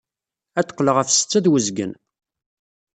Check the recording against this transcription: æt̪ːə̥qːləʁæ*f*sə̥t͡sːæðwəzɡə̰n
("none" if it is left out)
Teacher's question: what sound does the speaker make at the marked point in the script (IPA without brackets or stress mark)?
f